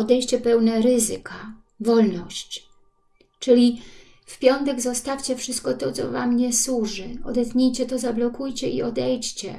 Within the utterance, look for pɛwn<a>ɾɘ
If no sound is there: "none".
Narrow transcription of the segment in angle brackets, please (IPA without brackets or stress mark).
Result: ɛ